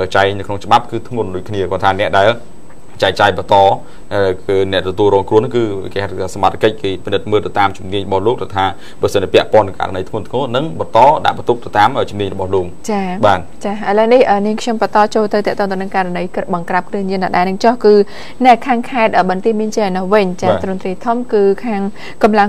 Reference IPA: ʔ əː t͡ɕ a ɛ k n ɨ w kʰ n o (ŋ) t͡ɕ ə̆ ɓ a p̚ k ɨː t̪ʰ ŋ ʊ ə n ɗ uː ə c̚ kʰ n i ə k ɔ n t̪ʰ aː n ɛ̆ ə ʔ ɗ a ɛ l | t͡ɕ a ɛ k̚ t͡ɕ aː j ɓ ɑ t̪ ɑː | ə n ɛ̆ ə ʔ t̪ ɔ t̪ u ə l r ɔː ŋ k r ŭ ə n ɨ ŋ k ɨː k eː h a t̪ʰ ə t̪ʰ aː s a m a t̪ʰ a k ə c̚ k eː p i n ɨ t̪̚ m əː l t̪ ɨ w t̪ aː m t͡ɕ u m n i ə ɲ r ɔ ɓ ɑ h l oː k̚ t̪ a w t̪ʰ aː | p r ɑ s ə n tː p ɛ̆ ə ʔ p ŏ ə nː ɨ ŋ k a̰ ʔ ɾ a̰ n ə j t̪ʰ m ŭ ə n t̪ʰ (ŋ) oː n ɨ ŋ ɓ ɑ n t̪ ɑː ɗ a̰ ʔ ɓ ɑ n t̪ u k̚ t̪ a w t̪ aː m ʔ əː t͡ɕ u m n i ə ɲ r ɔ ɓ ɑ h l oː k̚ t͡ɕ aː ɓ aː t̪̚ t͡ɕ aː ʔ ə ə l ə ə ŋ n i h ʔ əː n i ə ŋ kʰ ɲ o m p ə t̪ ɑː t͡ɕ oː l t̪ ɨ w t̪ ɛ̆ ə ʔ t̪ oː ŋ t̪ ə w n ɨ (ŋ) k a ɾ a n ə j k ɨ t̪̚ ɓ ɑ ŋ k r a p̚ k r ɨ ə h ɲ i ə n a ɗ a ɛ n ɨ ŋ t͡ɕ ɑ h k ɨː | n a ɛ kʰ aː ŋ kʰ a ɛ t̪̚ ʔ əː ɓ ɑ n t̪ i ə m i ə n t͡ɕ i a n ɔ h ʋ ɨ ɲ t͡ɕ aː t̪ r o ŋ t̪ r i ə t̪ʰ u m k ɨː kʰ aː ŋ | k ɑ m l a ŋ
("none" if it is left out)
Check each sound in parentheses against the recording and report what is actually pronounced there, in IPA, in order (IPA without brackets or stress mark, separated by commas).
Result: ŋ, ŋ, ŋ